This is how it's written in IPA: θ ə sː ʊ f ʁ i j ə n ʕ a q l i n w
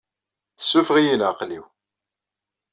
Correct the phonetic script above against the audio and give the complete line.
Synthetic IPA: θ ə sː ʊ f ʁ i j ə n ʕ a q l i w

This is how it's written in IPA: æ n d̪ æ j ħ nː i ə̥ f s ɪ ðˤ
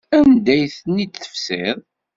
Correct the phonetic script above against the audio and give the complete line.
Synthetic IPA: æ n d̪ æ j θ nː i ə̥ f s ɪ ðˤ

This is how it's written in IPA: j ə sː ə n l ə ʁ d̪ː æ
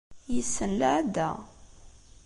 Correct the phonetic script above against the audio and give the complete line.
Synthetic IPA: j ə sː ə n l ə ʕ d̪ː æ

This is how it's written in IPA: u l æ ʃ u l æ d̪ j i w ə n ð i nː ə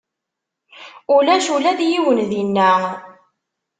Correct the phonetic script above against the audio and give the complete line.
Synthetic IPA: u l æ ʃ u l æ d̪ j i w ə n ð i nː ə

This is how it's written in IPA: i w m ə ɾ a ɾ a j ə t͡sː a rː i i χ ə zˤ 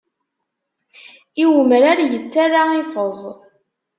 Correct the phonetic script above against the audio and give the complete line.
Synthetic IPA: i w m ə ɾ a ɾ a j ə t͡sː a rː a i f ə zˤ

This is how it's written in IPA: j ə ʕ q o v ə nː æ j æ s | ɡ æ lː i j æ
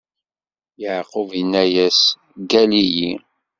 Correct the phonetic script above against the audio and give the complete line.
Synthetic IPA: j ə ʕ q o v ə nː æ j æ s | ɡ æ l i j i

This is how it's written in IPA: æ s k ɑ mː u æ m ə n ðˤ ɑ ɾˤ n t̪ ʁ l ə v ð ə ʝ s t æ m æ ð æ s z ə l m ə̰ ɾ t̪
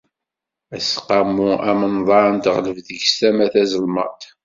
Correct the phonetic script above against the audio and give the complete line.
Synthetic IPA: æ s q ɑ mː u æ m ə n ðˤ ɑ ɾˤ n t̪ ʁ l ə v ð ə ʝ s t æ m æ θ æ z ə l m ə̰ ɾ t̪

